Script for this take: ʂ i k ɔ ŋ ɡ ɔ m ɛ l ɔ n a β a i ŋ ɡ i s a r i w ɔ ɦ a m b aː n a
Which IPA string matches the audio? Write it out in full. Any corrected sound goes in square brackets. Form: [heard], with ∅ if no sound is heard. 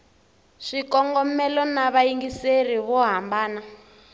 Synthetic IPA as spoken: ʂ i k ɔ ŋ ɡ ɔ m ɛ l ɔ n a β a i ŋ ɡ i s [e] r i [β] ɔ ɦ a m b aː n a